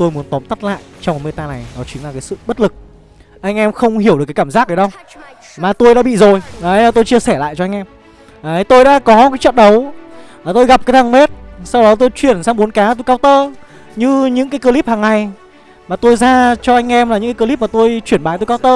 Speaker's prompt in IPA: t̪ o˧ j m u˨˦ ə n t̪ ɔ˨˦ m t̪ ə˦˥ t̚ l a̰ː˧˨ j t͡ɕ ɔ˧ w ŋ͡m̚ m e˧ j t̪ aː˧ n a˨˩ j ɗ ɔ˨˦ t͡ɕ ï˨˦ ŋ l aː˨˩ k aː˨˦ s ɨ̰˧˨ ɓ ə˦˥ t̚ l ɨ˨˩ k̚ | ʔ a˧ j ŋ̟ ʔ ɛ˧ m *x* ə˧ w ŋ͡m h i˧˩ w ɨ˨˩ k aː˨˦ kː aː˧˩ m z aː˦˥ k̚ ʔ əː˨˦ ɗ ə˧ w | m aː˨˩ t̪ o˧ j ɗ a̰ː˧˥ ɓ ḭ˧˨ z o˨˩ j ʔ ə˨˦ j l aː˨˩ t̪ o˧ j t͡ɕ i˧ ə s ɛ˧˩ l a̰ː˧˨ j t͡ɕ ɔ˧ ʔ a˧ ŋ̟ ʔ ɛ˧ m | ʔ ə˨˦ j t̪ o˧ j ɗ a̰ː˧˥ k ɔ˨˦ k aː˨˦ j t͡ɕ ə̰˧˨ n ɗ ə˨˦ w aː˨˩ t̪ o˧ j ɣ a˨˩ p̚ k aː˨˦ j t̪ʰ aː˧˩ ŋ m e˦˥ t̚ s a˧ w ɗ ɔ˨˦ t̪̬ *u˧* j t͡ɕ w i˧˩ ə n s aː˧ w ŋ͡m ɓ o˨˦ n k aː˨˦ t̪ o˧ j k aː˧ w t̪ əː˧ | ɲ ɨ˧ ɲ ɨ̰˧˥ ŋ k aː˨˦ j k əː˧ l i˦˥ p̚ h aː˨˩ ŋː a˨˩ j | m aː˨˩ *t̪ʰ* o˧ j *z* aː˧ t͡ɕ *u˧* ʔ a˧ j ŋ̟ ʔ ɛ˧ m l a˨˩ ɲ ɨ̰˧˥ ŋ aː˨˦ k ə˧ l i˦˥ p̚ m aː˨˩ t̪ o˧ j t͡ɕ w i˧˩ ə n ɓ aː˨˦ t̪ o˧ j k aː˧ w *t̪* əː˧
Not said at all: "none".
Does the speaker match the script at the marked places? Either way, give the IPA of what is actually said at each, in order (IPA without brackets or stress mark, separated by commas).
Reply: x, o˧, t̪, z, ɔ˧, t̪